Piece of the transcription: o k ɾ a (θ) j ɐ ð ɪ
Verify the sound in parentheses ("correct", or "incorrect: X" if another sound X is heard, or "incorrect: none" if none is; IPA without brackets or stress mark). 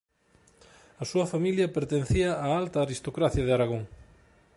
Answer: correct